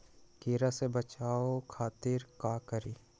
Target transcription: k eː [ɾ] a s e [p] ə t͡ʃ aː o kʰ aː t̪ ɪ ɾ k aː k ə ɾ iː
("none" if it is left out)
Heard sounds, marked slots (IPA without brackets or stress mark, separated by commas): ɾ, b